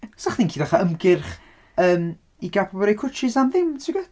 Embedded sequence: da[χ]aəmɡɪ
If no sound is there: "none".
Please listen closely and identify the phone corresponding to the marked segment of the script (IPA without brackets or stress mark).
χ